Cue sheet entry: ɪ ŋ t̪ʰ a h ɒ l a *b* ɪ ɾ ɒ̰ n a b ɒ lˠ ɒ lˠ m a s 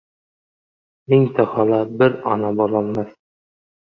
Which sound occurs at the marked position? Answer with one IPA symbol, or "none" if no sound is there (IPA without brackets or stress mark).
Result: b